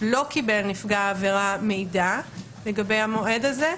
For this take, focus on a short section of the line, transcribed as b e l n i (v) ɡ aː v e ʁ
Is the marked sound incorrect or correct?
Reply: incorrect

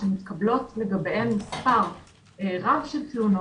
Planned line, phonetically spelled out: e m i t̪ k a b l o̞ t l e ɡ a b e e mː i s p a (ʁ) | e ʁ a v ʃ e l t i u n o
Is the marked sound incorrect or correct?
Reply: correct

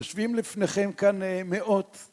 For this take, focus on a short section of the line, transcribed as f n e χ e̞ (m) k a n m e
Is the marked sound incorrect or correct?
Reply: correct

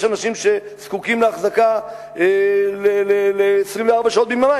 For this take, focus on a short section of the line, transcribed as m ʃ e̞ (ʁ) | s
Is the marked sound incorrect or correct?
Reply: incorrect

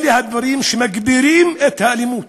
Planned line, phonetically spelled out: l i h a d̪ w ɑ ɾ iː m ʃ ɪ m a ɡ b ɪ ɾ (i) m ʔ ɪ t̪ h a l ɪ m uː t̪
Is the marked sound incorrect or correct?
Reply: incorrect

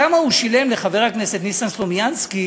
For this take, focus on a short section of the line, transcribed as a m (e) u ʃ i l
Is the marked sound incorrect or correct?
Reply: incorrect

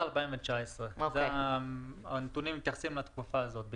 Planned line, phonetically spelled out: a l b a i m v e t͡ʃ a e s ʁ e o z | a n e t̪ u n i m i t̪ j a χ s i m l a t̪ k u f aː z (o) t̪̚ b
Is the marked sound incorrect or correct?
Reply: correct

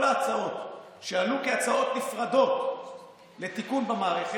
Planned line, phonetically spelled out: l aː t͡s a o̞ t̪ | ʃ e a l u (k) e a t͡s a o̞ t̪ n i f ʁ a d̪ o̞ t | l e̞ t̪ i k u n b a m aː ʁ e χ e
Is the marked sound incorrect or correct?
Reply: correct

